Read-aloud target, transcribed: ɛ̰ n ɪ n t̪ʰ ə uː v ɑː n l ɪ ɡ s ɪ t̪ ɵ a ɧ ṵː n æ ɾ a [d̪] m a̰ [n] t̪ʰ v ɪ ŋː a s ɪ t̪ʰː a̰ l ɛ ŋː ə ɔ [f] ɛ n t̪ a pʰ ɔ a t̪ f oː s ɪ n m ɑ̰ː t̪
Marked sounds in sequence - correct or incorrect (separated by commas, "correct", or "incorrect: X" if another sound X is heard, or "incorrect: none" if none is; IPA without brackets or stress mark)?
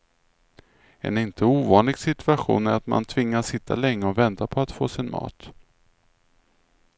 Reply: incorrect: t̪, correct, incorrect: v